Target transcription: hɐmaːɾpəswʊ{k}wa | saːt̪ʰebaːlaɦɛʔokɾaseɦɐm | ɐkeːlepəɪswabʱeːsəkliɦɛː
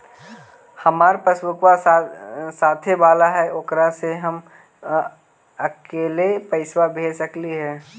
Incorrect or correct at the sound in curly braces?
correct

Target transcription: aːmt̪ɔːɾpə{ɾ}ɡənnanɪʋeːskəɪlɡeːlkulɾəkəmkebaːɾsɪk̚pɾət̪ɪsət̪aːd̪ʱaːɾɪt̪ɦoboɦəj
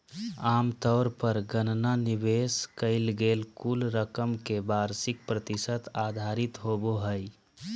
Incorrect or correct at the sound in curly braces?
correct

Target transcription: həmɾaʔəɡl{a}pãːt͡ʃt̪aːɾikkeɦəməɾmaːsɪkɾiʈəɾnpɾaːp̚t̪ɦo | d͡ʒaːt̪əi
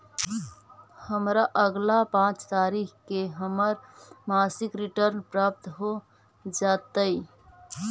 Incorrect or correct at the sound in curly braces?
correct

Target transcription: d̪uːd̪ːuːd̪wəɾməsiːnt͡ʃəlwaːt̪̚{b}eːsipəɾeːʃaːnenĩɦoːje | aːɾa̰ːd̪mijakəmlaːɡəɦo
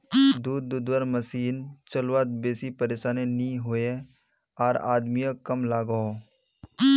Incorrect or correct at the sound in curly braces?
correct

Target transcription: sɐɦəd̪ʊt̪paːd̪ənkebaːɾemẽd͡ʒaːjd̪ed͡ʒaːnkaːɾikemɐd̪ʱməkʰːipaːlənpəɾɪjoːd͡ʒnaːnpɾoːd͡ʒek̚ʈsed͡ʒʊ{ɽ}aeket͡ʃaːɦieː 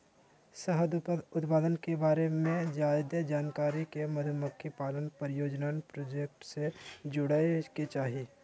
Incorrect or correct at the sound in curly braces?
correct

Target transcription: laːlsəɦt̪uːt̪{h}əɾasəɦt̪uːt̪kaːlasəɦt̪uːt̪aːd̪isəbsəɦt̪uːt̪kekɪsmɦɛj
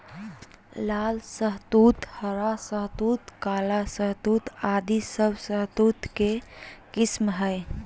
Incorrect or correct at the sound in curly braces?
correct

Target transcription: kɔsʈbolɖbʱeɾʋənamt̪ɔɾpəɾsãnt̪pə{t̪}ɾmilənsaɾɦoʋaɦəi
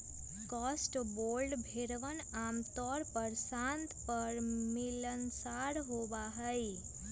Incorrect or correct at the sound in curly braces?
incorrect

